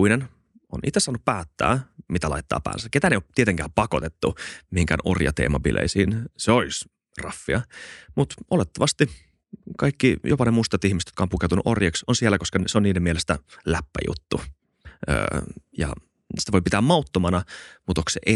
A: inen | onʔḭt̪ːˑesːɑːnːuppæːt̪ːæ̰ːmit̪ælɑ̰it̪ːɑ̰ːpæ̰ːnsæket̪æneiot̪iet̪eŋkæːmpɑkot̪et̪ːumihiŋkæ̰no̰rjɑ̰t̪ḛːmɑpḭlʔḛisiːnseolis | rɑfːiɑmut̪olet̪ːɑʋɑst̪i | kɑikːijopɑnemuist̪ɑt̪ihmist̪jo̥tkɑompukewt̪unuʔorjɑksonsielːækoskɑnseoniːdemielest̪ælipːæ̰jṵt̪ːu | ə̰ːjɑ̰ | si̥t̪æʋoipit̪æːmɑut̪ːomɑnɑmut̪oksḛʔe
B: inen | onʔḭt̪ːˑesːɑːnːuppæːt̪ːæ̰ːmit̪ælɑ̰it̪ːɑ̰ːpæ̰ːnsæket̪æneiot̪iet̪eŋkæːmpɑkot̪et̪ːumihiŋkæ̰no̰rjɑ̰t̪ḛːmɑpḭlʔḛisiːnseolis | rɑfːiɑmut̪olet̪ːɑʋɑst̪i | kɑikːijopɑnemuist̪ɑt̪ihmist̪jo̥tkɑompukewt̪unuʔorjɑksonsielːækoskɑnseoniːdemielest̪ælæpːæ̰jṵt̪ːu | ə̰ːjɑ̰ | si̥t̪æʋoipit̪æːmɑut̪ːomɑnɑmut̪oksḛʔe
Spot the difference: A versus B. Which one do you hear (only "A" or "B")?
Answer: B